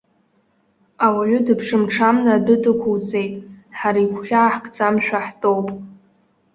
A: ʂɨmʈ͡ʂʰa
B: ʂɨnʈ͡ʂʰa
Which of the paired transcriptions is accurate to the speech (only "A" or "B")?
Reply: A